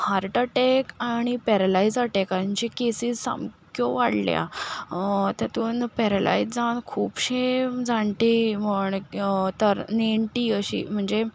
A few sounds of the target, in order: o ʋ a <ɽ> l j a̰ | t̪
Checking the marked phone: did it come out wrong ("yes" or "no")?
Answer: no